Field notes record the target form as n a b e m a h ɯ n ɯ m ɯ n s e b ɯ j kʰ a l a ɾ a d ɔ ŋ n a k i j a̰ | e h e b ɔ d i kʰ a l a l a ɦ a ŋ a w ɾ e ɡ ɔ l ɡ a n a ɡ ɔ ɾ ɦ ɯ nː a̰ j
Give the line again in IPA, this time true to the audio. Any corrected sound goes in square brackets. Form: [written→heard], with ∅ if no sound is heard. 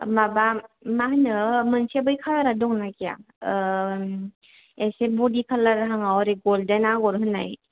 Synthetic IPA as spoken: [n→m] a b [e→a] m a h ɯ n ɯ m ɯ n s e b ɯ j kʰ a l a ɾ a d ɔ ŋ n a k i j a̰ | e [h→s] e b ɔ d i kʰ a l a [l→ɾ] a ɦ a ŋ a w ɾ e ɡ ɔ l [ɡ→d] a n a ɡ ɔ ɾ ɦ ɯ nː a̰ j